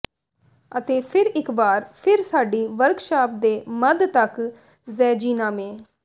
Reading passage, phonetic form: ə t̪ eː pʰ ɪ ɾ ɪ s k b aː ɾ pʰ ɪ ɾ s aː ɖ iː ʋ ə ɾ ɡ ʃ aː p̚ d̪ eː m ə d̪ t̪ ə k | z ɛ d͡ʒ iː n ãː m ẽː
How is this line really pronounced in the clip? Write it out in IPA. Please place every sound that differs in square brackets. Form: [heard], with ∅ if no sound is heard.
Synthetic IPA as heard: ə t̪ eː pʰ ɪ ɾ ɪ [∅] k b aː ɾ pʰ ɪ ɾ s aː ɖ iː ʋ ə ɾ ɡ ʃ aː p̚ d̪ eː m ə d̪ t̪ ə k | z [ɛː] d͡ʒ iː n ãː m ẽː